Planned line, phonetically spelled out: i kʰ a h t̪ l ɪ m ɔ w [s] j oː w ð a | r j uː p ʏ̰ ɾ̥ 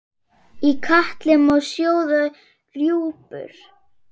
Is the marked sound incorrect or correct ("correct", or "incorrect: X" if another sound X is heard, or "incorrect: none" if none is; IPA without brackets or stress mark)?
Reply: correct